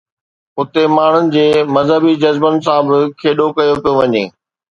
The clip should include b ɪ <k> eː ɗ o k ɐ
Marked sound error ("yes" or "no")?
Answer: yes